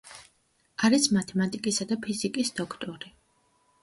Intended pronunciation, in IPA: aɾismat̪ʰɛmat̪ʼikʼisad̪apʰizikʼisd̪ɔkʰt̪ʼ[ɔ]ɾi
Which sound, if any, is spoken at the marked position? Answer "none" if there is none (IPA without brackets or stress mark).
ɔ